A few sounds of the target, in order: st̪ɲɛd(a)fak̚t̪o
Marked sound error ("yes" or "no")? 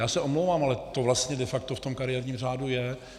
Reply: yes